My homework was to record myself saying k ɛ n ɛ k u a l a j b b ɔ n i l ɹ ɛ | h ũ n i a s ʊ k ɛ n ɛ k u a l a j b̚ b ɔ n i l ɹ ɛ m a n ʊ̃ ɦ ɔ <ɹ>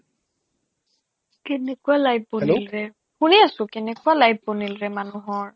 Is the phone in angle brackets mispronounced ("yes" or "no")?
no